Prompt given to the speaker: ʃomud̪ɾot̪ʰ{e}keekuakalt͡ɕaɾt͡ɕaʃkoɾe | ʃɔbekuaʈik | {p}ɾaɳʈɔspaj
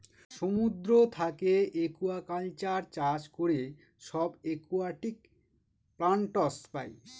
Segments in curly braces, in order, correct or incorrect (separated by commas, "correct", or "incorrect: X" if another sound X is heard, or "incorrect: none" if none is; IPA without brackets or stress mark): incorrect: a, correct